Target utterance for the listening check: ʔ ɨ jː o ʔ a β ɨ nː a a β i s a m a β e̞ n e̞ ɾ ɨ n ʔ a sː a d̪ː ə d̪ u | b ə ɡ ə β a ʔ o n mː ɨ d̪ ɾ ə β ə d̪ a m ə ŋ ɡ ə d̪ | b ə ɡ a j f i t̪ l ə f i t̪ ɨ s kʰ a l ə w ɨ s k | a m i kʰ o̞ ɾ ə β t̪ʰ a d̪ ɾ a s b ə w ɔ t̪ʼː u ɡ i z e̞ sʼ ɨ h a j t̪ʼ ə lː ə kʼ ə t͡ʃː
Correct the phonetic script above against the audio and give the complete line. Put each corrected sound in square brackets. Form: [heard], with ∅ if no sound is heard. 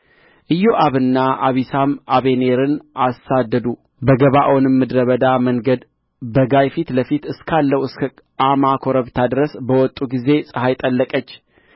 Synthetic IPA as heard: ʔ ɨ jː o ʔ a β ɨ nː a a β i s a m a β e̞ n e̞ ɾ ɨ n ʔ a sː a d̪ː ə d̪ u | b ə ɡ ə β a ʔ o n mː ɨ d̪ ɾ ə β ə d̪ a m ə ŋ ɡ ə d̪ | b ə ɡ a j f i t̪ l ə f i t̪ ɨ s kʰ a [lː] ə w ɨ s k | a m [a] kʰ o̞ ɾ ə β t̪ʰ a d̪ ɾ [ə] s b ə w ɔ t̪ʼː u ɡ i z e̞ sʼ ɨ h a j t̪ʼ ə lː ə kʼ ə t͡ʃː

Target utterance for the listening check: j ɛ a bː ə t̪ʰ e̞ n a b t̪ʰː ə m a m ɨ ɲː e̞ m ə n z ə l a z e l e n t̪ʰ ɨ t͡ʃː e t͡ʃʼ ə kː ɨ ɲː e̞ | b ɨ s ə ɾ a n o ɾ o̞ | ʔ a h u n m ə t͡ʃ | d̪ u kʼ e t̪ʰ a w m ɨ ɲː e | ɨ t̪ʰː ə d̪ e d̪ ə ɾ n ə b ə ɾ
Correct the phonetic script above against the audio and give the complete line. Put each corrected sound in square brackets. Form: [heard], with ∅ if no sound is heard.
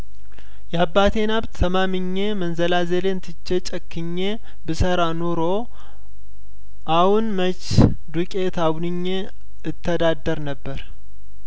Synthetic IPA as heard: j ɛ a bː [a] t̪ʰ e̞ n a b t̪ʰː ə m a m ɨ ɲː e̞ m ə n z ə l a z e l e n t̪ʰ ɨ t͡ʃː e t͡ʃʼ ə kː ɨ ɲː e̞ | b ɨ s ə ɾ a n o ɾ o̞ | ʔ a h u n m ə t͡ʃ | d̪ u kʼ e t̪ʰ a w [n] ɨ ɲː e | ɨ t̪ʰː ə d̪ [a] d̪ ə ɾ n ə [bː] ə ɾ

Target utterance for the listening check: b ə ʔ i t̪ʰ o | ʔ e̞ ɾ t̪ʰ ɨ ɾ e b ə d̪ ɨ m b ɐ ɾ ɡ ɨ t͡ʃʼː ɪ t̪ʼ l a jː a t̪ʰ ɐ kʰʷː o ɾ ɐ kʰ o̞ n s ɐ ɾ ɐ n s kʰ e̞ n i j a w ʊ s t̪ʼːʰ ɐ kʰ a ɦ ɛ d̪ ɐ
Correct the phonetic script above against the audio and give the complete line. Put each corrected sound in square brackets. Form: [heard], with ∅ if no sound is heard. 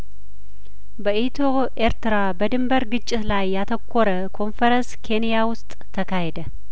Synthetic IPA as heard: b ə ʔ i t̪ʰ o | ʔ e̞ ɾ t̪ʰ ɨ ɾ [a] b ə d̪ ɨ m b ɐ ɾ ɡ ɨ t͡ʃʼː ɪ [t̪] l a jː a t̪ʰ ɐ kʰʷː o ɾ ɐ kʰ o̞ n [f] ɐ ɾ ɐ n s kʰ e̞ n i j a w ʊ s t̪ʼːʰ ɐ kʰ a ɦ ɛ d̪ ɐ

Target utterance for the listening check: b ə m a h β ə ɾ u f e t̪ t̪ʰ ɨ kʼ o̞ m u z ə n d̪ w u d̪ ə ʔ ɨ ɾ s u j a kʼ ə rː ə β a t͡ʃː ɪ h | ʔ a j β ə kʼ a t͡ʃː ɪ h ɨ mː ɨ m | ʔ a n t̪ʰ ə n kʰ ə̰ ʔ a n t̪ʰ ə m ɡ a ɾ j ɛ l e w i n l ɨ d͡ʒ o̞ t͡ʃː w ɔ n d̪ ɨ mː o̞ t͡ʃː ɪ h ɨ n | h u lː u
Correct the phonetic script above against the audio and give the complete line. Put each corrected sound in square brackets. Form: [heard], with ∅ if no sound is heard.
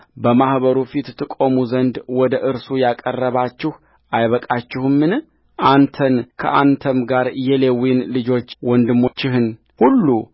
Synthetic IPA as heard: b ə m a h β ə ɾ u f [i] t̪ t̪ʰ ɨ kʼ o̞ m u z ə n d̪ w [ɔ] d̪ ə ʔ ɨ ɾ s u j a kʼ ə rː ə β a t͡ʃː ɪ h | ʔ a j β ə kʼ a t͡ʃː ɪ h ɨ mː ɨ [n] | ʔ a n t̪ʰ ə n kʰ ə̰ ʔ a n t̪ʰ ə m ɡ a ɾ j ɛ l e w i n l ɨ d͡ʒ o̞ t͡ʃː w ɔ n d̪ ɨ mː o̞ t͡ʃː ɪ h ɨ n | h u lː u

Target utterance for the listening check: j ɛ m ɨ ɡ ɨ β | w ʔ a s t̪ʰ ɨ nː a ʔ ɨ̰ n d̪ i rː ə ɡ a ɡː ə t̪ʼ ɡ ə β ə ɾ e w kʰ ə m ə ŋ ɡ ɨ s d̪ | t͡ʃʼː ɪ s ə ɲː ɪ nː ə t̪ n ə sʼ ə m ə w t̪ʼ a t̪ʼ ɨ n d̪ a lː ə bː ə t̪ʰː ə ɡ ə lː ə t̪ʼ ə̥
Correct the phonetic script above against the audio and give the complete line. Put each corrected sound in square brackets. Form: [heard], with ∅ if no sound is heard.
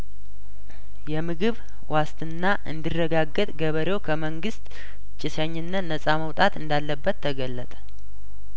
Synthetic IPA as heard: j ɛ m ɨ ɡ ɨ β | w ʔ a s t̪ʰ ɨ nː a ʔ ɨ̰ n d̪ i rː ə ɡ a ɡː ə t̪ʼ ɡ ə β ə ɾ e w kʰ ə m ə ŋ ɡ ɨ s [t̪] | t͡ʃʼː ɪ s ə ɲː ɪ nː ə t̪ n ə sʼ [a] m ə w t̪ʼ a [t̪] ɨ n d̪ a lː ə bː ə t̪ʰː ə ɡ ə lː ə t̪ʼ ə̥

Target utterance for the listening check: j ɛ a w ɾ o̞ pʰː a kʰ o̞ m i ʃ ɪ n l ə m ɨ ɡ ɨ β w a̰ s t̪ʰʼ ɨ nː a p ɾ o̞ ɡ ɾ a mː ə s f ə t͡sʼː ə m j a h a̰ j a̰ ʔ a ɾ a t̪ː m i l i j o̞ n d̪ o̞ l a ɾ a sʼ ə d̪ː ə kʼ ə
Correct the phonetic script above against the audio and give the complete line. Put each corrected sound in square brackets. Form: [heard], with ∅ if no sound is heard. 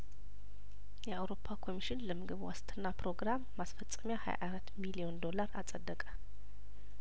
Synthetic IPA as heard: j ɛ a w ɾ o̞ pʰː a kʰ o̞ m i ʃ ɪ n l ə m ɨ ɡ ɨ β w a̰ s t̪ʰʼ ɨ nː a p ɾ o̞ ɡ ɾ a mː [a] s f ə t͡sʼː ə m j a h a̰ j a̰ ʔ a ɾ a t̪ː m i l i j o̞ n d̪ o̞ l a ɾ a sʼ ə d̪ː ə kʼ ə

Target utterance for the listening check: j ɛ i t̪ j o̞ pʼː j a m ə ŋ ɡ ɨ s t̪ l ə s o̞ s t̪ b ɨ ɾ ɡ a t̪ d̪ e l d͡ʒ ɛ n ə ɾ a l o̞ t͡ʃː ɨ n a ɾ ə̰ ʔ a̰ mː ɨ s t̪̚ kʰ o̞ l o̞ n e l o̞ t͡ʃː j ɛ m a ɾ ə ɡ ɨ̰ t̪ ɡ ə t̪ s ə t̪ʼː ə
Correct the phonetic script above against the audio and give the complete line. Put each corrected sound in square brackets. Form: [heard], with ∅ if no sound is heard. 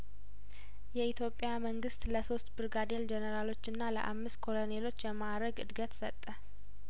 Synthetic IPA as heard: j ɛ i t̪ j o̞ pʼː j a m ə ŋ ɡ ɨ s t̪ l ə s o̞ s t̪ b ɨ ɾ ɡ a [∅] d̪ e l d͡ʒ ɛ n ə ɾ a l o̞ t͡ʃː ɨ [nː] a [l] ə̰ ʔ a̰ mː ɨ s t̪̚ kʰ o̞ l o̞ n e l o̞ t͡ʃː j ɛ m a ɾ ə ɡ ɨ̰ [d̪] ɡ ə t̪ s ə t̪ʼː ə

